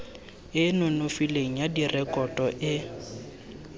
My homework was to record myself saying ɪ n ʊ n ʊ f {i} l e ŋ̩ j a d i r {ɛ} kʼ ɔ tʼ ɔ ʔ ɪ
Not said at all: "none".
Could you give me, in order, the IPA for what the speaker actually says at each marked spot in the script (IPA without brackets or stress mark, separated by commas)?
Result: i, ɛ